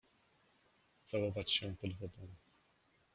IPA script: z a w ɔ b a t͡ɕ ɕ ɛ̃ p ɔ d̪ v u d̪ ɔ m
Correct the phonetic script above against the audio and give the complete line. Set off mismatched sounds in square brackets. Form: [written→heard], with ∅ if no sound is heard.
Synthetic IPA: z a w ɔ [b→v] a t͡ɕ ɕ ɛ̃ p ɔ d̪ v [u→ɔ] d̪ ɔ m